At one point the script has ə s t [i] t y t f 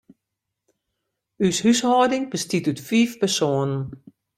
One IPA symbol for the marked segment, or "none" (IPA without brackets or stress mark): i